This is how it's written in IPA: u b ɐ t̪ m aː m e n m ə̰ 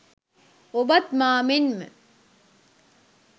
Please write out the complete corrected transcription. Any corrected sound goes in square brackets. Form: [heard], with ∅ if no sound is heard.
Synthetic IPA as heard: [o] b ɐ t̪ m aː m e n m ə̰